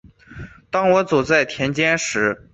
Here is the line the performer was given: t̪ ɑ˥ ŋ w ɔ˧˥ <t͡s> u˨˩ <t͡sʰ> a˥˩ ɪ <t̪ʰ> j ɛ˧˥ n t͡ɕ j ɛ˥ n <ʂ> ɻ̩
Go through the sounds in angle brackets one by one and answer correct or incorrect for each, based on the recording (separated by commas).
correct, incorrect, correct, correct